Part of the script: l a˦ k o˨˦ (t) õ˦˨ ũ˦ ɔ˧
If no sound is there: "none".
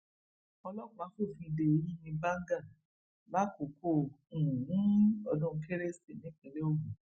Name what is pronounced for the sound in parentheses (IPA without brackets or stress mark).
k